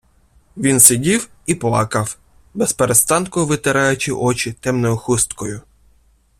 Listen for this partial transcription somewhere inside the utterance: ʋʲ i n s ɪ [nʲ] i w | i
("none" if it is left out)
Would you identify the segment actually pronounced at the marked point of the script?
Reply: dʲ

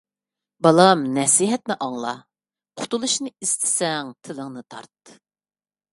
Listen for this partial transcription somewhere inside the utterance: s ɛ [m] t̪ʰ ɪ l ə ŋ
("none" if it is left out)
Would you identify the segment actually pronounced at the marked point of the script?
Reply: ŋ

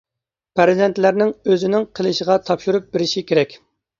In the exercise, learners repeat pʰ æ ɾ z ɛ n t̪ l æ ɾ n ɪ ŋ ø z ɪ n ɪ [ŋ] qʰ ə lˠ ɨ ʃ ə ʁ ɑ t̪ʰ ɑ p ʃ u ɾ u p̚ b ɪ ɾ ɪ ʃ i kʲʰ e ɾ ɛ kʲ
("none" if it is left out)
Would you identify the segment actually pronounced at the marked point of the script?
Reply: ŋ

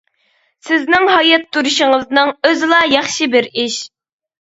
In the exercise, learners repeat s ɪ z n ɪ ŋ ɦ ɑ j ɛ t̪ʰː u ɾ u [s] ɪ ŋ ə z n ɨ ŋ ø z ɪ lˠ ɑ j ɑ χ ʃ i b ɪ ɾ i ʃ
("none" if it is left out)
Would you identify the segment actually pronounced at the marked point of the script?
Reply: ʃ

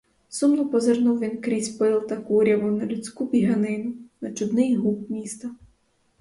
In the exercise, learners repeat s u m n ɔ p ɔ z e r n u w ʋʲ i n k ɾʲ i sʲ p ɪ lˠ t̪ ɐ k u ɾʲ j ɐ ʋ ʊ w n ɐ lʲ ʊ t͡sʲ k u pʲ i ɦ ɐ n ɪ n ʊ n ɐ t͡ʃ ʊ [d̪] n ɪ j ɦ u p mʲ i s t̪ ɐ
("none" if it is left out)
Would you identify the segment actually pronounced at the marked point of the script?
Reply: d̪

